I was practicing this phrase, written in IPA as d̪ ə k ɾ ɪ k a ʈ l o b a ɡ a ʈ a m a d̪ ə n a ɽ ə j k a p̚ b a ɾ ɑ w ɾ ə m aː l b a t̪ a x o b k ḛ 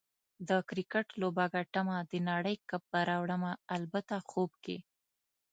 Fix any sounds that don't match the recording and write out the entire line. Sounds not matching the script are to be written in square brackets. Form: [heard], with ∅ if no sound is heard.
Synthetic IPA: d̪ ə k ɾ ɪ k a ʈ l o b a ɡ a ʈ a m a d̪ ə n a ɽ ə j k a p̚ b a ɾ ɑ w [ɽ] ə m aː l b a t̪ a x o b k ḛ